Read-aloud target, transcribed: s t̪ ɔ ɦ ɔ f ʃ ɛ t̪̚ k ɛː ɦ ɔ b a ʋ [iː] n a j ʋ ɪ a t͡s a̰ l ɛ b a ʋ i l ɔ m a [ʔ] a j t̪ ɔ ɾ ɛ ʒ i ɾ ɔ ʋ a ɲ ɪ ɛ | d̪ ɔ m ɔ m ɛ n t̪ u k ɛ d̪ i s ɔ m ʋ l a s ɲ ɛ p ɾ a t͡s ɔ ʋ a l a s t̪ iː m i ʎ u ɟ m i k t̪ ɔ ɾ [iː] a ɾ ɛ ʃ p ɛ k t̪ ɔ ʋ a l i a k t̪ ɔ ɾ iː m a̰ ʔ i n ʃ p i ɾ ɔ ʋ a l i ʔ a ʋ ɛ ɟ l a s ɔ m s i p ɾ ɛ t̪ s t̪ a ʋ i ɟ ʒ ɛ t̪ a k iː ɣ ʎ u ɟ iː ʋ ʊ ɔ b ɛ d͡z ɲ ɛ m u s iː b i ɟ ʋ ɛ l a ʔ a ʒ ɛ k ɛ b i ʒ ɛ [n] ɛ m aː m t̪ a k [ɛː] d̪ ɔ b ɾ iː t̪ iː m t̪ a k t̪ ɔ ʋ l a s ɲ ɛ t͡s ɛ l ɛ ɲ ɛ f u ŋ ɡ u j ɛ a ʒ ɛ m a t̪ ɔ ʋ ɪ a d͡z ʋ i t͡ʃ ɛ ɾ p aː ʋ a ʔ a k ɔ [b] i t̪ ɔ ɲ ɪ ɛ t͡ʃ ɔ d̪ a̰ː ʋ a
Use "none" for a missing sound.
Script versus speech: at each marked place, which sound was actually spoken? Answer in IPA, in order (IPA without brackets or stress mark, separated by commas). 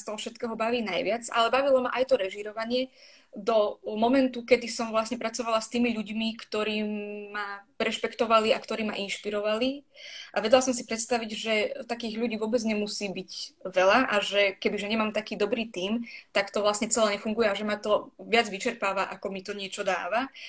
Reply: iː, ʔ, iː, ɲ, iː, m